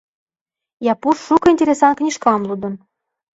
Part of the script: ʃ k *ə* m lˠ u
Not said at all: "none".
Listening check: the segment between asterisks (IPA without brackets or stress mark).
ɑ